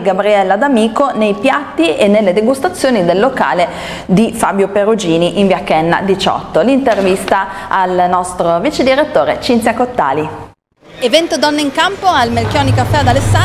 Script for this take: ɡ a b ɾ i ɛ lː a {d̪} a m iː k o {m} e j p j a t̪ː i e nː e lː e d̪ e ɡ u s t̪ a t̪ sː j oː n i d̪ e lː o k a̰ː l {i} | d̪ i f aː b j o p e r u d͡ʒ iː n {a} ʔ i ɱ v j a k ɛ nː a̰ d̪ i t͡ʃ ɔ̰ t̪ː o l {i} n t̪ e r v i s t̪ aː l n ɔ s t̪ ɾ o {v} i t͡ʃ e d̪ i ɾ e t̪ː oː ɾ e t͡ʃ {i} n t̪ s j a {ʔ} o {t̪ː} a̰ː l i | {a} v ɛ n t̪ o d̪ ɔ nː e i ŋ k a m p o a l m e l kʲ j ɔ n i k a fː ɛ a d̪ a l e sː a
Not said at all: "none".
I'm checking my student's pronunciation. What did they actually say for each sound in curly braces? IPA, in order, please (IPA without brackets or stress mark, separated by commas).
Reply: d̪, n, e, i, i, v, i, k, t̪ː, e